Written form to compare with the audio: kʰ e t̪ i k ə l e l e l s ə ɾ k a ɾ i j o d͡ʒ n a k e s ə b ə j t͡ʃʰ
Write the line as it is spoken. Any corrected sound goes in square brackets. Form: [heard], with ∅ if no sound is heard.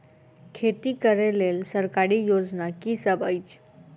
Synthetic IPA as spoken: kʰ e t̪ i k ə [ɾ] e l e l s ə ɾ k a ɾ i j o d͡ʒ n a k [i] s ə b ə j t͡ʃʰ